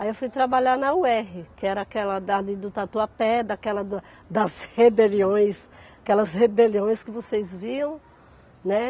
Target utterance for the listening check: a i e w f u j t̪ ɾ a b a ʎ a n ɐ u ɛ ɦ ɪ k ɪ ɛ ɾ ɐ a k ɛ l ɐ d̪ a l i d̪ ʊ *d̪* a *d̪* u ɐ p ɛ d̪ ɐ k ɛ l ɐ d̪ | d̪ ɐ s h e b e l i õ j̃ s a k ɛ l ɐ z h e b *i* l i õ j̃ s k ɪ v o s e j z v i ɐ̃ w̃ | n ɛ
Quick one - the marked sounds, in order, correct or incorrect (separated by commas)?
incorrect, incorrect, incorrect